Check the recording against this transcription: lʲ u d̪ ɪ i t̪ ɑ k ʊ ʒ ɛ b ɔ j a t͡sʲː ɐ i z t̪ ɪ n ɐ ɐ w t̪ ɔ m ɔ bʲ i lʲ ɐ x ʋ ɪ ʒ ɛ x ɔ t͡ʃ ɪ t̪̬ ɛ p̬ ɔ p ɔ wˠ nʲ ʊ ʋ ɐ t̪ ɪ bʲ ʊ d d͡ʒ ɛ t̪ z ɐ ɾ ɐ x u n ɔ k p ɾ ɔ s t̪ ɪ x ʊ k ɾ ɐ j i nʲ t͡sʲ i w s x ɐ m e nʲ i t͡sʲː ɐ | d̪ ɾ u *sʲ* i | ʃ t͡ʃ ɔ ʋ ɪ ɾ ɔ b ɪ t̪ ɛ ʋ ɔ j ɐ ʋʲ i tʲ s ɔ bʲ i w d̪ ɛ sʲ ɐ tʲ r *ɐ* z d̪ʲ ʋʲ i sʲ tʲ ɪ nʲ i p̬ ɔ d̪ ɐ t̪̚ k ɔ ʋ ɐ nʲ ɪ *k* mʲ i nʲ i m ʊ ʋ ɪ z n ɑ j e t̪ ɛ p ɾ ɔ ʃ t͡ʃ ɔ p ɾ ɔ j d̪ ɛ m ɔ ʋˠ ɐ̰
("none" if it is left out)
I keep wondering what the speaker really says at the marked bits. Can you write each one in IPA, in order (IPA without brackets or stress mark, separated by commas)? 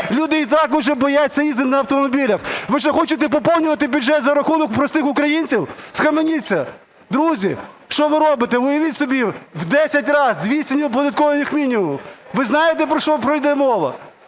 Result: zʲ, ɑ, x